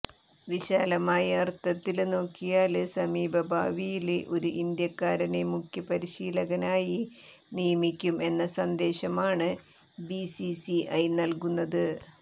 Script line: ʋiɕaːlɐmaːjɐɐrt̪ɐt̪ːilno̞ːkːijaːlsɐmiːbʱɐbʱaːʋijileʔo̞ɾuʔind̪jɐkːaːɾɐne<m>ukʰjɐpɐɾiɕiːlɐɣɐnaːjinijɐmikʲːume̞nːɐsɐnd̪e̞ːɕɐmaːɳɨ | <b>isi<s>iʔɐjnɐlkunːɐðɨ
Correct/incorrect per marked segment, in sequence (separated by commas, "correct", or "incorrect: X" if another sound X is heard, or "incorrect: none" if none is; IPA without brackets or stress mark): correct, correct, correct